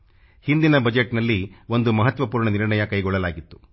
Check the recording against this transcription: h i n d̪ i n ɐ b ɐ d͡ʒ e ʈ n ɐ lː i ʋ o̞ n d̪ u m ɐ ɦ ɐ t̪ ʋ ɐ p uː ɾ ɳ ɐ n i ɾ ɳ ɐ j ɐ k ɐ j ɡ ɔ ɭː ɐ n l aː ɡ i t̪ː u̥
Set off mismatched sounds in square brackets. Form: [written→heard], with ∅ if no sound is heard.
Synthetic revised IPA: h i n d̪ i n ɐ b ɐ d͡ʒ e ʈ n ɐ lː i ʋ o̞ n d̪ u m ɐ ɦ ɐ t̪ ʋ ɐ p uː ɾ ɳ ɐ n i ɾ ɳ ɐ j ɐ k ɐ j ɡ ɔ ɭː ɐ [n→∅] l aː ɡ i t̪ː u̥